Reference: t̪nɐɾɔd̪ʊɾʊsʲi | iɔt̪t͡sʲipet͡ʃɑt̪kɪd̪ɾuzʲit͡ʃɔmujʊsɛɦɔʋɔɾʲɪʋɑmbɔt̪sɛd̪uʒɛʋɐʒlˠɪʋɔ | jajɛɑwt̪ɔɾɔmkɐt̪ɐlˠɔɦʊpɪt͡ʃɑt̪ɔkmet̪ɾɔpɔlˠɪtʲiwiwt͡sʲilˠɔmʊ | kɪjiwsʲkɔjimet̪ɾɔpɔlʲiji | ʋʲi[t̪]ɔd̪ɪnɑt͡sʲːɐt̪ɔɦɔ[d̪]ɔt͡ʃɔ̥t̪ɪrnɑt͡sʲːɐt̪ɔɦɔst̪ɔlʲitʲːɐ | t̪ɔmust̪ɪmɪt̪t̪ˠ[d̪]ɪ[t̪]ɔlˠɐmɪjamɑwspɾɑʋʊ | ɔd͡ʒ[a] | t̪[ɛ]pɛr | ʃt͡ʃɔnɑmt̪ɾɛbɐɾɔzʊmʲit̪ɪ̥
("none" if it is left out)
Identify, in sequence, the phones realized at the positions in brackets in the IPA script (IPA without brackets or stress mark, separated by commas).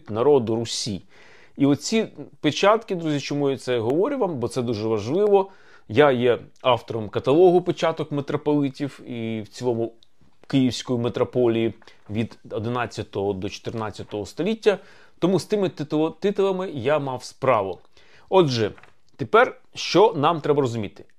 d̪, d̪, t̪, t̪, ɛ, e